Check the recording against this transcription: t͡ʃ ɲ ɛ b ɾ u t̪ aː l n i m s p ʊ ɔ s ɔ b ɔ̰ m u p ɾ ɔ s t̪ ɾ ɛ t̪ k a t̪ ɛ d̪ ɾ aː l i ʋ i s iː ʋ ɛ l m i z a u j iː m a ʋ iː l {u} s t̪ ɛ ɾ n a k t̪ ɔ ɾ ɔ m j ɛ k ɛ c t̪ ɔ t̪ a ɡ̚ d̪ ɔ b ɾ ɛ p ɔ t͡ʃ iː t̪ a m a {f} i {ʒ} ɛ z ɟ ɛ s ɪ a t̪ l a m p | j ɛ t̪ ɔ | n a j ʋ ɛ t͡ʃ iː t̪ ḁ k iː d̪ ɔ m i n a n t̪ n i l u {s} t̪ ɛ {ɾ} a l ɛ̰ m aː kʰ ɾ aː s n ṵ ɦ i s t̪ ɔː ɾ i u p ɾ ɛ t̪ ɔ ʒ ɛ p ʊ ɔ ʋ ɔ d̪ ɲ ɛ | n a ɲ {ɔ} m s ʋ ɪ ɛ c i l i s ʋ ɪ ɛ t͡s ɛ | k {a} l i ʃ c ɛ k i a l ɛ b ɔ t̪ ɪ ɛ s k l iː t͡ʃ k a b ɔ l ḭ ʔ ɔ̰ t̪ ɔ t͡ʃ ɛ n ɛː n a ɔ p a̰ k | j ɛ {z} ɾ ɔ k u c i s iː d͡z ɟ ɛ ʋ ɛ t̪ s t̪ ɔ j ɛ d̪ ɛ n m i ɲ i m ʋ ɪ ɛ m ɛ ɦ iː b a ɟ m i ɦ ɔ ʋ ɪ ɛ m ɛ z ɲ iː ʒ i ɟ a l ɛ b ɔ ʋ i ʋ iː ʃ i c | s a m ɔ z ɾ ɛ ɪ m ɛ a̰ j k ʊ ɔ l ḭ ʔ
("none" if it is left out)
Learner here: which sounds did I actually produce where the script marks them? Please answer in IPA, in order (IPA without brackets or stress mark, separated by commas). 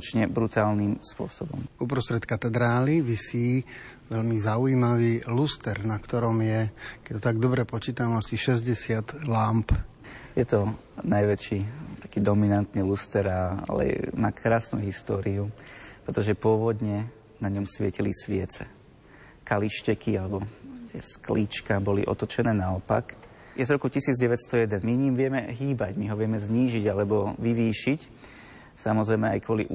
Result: u, s, ʃ, s, ɾ, ɔ, a, z